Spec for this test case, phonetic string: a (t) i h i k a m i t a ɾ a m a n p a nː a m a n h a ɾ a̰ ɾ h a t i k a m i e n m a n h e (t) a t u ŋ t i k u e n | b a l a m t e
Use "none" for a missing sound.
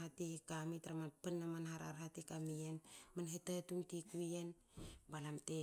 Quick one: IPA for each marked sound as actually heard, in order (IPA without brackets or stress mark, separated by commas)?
t, t